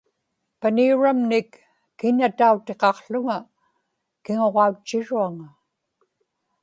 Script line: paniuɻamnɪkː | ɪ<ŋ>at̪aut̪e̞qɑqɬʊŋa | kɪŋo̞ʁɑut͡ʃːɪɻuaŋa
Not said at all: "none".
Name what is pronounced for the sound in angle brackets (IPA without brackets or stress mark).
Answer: ɲ